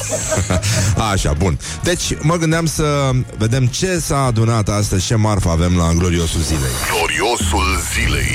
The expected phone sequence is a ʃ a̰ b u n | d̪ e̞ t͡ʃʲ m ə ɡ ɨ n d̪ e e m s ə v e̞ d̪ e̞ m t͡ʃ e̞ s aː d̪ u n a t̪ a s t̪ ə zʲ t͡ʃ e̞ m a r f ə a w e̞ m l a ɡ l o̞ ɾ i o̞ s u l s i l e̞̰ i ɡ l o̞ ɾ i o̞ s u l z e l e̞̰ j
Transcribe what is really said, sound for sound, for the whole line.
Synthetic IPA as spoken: a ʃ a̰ b u n | d̪ e̞ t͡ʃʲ m ə ɡ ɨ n d̪ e a m s ə v e̞ d̪ e̞ m t͡ʃ e̞ s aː d̪ u n a t̪ a s t̪ ə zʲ t͡ʃ e̞ m a r f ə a v e̞ m l a ɡ l o̞ ɾ i o̞ s u l z i l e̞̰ j ɡ l o̞ ɾ i o̞ s u l z i l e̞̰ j